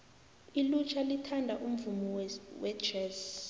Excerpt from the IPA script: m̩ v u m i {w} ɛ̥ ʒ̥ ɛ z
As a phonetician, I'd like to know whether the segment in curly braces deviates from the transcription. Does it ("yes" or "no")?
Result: no